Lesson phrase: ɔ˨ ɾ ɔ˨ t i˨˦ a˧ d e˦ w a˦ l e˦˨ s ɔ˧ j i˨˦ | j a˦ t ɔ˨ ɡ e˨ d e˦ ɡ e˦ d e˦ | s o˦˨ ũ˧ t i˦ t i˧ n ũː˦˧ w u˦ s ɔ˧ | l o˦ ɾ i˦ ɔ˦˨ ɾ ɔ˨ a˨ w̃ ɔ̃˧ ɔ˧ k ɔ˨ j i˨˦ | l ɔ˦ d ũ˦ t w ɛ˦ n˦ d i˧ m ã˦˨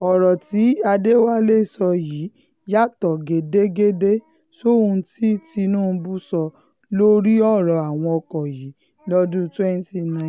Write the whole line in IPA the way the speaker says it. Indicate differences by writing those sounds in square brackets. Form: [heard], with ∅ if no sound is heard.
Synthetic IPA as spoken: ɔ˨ ɾ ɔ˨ t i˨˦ a˧ d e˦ w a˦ l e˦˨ s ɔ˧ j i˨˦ | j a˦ t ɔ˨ ɡ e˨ d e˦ ɡ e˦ d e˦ | s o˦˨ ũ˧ t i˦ t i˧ n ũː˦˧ [b] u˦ s ɔ˧ | l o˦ ɾ i˦ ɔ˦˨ ɾ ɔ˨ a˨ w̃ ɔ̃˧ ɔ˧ k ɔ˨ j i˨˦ | l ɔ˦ d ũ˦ t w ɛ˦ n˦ [t] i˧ [n] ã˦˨

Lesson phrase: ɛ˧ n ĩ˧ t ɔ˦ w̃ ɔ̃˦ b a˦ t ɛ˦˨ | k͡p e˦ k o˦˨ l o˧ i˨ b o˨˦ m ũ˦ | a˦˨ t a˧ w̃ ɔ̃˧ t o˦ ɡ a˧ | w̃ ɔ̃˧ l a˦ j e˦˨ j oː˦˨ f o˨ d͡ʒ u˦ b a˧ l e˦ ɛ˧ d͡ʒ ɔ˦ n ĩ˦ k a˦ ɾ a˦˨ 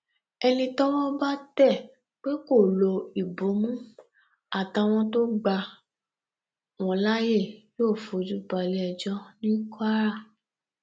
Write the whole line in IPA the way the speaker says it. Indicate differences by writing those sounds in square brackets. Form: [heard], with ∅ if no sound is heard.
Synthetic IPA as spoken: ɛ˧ n ĩ˧ t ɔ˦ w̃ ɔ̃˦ b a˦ t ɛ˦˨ | k͡p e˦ k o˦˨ l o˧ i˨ b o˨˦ m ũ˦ | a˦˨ t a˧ w̃ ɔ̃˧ t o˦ [ɡ͡b] a˧ | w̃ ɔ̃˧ l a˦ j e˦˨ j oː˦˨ f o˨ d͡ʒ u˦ b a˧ l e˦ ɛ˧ d͡ʒ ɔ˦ n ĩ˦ k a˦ ɾ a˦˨

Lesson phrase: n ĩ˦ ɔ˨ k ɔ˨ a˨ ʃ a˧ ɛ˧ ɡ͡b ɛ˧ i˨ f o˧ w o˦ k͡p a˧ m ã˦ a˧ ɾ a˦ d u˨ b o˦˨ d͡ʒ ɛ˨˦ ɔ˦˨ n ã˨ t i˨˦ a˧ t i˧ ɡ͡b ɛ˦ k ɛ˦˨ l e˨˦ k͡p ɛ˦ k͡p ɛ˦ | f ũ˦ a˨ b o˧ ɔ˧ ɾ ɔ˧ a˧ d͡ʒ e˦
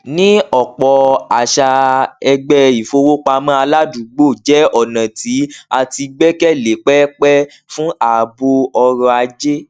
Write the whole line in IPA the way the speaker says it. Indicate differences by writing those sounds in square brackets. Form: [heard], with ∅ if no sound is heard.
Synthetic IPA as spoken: n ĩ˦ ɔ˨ [k͡p] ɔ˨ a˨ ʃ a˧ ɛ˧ ɡ͡b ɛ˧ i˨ f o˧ w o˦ k͡p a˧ m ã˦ a˧ [l] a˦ d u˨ [ɡ͡b] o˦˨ d͡ʒ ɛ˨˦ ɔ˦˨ n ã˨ t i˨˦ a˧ t i˧ ɡ͡b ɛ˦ k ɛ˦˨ l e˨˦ k͡p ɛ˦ k͡p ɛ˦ | f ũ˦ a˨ b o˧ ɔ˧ ɾ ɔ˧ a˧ d͡ʒ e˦

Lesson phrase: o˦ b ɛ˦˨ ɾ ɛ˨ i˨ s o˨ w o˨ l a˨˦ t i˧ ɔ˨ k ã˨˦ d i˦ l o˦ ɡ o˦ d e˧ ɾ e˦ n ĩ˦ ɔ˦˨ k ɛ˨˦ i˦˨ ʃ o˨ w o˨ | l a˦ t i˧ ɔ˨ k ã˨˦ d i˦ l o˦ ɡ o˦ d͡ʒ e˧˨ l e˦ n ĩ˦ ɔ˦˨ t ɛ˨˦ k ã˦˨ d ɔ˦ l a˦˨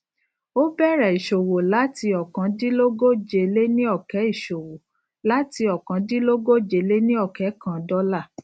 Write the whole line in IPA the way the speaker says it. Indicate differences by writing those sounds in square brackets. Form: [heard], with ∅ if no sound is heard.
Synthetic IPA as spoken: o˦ b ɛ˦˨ ɾ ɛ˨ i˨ [ʃ] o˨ w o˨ l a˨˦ t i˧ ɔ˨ k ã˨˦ d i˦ l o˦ ɡ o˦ [d͡ʒ] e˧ [l] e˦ n ĩ˦ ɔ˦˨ k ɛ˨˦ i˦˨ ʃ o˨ w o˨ | l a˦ t i˧ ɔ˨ k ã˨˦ d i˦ l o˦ ɡ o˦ d͡ʒ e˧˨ l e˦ n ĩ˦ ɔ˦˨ [k] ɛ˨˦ k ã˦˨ d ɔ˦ l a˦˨

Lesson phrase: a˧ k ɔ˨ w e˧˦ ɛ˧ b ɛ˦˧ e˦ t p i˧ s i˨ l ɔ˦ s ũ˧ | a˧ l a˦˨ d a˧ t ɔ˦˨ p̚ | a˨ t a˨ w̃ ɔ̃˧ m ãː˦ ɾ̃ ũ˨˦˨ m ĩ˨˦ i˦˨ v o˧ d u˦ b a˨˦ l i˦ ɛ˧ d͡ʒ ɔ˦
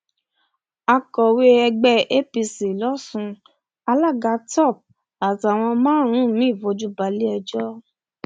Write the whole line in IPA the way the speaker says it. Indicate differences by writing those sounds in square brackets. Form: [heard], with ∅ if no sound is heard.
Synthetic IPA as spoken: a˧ k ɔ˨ w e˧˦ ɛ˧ [ɡ͡b] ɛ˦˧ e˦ [∅] p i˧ s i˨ l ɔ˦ s ũ˧ | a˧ l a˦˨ [ɡ] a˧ t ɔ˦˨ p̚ | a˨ t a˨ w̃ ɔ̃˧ m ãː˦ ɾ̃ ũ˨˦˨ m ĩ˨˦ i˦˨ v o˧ [d͡ʒ] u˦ b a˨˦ l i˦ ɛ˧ d͡ʒ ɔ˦

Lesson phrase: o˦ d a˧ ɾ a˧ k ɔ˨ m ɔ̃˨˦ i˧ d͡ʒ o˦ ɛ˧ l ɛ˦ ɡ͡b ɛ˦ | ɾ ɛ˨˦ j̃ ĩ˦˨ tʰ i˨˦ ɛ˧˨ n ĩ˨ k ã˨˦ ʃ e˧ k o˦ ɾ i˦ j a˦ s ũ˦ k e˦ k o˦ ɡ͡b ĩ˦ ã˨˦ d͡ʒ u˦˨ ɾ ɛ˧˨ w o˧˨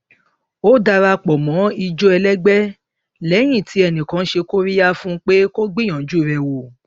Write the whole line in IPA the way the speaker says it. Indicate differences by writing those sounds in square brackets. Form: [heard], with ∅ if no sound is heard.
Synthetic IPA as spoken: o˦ d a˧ ɾ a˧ [k͡p] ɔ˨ m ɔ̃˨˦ i˧ d͡ʒ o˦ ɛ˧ l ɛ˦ ɡ͡b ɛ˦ | [l] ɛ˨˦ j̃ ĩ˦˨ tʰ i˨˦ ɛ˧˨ n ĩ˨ k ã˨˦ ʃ e˧ k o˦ ɾ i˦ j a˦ [f] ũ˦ [k͡p] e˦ k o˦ ɡ͡b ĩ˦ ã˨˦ d͡ʒ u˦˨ ɾ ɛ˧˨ w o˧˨

